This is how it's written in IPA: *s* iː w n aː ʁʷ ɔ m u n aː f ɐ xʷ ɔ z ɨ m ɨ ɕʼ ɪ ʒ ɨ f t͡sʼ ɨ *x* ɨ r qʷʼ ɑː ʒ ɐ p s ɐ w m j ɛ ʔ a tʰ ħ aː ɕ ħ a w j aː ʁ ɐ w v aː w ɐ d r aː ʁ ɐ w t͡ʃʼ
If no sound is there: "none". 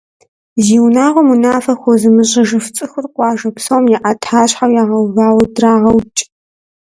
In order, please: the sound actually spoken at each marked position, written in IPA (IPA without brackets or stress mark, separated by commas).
z, x